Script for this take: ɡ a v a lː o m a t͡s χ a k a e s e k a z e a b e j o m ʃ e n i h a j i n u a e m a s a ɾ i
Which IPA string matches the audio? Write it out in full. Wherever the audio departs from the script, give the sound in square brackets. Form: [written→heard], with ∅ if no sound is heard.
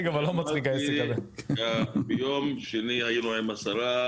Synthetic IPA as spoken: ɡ a v a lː o m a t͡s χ [a→i] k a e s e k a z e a b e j o m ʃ e n i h a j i n u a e m a s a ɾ [i→a]